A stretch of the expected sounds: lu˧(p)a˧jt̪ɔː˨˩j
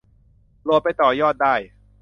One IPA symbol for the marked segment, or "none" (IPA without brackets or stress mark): p